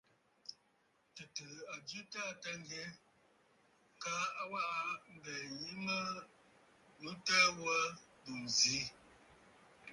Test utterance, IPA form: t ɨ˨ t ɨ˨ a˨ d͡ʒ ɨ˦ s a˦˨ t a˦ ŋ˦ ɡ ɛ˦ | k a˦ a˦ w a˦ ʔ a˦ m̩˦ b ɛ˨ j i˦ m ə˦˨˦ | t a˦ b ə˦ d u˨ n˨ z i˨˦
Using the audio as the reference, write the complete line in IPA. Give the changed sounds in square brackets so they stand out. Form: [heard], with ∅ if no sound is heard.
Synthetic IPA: t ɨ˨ t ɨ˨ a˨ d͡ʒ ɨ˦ [t] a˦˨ t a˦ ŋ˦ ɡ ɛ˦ | k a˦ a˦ w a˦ ʔ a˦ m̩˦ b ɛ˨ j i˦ m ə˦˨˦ | t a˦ [w] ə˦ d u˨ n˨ z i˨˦

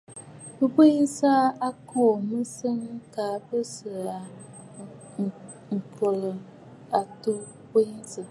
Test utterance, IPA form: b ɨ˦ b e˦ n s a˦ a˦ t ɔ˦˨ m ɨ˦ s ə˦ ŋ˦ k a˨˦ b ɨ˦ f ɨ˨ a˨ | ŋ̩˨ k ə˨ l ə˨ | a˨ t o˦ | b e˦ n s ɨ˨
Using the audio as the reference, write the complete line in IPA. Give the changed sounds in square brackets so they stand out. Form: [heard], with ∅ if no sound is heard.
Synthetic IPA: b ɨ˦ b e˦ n s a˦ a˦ [k] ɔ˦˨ m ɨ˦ s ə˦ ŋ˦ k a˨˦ b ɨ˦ [s] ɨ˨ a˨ | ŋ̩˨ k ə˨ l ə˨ | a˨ t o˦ | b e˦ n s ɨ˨

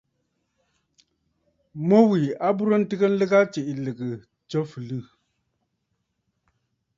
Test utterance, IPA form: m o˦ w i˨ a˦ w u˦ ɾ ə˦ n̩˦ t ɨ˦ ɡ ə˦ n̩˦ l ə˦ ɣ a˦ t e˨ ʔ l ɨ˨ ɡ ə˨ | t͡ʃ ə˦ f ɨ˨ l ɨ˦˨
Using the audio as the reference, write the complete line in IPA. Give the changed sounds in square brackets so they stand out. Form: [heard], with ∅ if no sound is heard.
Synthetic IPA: m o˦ w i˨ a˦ [b] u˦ ɾ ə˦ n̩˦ t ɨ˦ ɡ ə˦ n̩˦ l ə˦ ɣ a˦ [t͡ʃ] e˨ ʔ l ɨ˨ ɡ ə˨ | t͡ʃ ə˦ f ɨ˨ l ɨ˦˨

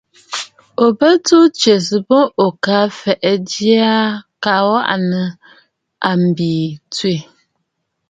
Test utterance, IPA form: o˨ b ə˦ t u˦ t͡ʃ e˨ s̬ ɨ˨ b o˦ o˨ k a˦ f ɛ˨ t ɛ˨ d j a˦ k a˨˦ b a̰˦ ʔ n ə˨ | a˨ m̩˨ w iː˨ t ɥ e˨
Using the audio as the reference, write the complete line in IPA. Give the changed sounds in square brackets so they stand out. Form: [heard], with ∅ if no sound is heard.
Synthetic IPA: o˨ b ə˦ t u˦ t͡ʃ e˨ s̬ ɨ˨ b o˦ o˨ k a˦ f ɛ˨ [ʔ] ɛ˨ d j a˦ k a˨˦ [w] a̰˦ ʔ n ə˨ | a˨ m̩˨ [b] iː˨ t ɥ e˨

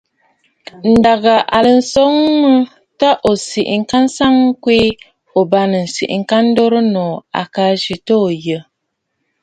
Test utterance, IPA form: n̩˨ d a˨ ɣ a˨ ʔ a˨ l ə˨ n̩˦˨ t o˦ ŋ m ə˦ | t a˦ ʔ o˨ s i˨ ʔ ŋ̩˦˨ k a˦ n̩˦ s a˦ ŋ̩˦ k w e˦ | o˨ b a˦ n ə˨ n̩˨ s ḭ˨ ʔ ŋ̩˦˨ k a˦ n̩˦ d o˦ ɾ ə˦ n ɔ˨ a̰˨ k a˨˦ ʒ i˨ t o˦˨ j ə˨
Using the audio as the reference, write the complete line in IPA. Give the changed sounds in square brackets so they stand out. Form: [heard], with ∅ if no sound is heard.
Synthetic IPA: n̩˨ d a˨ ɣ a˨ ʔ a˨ l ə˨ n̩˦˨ [s] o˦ ŋ m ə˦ | t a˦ ʔ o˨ s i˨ ʔ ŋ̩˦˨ k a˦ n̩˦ s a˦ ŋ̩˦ k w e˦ | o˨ b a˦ n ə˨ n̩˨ s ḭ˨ ʔ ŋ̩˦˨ k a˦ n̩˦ d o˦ ɾ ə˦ n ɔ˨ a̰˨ k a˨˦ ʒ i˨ t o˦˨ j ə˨

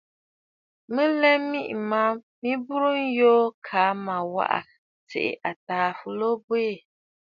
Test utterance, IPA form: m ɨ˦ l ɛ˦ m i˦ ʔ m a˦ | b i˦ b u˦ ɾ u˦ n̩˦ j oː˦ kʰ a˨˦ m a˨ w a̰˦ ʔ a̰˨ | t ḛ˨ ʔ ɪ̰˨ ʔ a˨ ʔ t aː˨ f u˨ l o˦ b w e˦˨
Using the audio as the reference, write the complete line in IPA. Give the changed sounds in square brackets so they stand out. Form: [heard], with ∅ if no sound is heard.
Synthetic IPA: m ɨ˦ l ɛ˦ m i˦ ʔ m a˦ | [m] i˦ b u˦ ɾ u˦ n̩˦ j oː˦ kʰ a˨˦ m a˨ w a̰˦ ʔ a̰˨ | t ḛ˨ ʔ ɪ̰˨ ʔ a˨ [∅] t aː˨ f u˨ l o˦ b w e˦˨

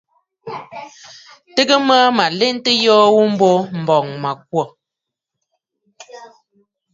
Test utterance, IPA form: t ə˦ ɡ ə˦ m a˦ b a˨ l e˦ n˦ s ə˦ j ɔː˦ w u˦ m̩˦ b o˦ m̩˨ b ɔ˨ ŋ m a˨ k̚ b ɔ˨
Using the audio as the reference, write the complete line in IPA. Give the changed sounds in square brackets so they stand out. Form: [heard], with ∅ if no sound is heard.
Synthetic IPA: t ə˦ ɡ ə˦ m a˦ [m] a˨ l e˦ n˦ [t] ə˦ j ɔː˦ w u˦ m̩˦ b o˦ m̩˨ b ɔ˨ ŋ m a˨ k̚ [w] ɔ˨

